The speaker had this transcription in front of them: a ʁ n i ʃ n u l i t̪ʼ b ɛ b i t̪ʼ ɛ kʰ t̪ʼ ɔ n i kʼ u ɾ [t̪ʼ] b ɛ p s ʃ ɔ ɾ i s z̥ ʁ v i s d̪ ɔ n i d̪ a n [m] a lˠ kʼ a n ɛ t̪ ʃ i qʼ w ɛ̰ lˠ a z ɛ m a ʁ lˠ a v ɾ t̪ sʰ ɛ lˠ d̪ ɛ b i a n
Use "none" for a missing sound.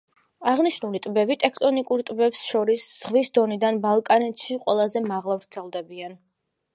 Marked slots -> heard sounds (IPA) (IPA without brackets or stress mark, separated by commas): t̪ʼ, b